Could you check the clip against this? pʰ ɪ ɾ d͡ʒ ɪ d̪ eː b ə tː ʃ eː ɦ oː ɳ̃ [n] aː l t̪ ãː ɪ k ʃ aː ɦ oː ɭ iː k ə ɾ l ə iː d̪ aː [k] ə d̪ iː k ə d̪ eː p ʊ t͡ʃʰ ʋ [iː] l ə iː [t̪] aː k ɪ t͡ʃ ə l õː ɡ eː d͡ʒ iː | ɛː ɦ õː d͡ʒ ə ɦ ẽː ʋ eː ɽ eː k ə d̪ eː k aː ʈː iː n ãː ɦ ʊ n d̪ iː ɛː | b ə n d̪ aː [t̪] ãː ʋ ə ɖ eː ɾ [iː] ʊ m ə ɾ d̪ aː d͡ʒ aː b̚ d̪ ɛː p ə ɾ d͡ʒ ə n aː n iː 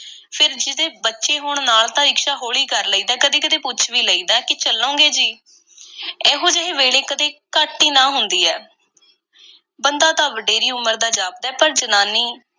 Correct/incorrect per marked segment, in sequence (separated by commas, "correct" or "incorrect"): correct, correct, correct, incorrect, correct, correct